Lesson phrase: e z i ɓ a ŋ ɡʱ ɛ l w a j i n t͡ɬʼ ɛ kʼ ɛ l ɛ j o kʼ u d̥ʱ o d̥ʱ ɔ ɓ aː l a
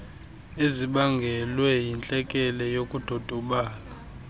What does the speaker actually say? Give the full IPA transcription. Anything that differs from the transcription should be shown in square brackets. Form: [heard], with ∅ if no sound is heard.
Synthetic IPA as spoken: e z i ɓ a ŋ ɡʱ ɛ l w [ɛ] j i n t͡ɬʼ ɛ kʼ ɛ l ɛ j o kʼ u d̥ʱ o d̥ʱ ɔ ɓ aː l a